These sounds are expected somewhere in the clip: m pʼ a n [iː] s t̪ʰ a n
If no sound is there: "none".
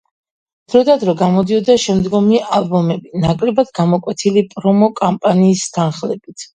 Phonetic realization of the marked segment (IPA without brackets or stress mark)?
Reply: iː